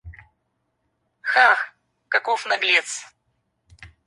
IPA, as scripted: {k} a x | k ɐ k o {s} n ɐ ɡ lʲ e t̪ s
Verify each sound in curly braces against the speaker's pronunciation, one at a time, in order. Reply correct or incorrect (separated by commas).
incorrect, incorrect